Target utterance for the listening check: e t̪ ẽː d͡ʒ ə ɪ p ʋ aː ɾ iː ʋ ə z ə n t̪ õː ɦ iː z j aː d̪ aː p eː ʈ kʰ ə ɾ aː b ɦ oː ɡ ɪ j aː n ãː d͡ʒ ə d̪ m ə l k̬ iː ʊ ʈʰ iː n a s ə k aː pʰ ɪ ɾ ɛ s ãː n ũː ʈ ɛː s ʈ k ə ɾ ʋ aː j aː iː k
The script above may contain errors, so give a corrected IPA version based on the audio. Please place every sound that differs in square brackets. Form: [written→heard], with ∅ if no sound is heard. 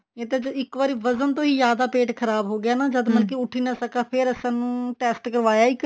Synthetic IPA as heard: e t̪ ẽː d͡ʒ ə ɪ [p→k] ʋ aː ɾ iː ʋ ə z ə n t̪ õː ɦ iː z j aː d̪ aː p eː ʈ kʰ ə ɾ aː b ɦ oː ɡ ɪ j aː n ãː d͡ʒ ə d̪ m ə l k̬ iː ʊ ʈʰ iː n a s ə k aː pʰ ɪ ɾ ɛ s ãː n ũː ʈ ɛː s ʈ k ə ɾ ʋ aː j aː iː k